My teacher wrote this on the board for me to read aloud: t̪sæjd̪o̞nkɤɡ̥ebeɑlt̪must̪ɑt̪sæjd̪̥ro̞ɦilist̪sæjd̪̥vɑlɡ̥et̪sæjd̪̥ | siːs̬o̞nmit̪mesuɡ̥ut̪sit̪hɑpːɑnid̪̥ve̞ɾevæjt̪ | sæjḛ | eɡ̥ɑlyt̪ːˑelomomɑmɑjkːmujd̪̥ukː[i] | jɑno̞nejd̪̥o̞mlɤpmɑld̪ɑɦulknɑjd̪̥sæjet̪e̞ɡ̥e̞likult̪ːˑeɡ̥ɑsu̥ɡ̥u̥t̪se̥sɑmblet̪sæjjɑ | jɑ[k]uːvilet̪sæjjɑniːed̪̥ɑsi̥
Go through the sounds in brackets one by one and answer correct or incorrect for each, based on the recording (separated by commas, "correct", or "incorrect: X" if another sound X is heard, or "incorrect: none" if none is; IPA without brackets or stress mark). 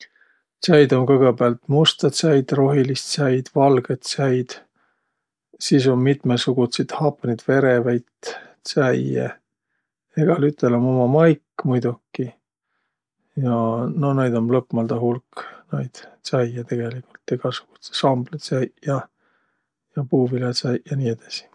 correct, incorrect: p